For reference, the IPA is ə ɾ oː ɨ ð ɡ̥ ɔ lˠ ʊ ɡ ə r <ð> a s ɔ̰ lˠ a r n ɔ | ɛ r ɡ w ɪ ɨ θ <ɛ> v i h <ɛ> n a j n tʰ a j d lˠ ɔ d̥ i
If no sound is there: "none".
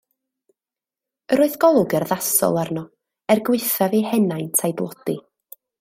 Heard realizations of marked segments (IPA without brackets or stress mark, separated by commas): ð, a, ɛ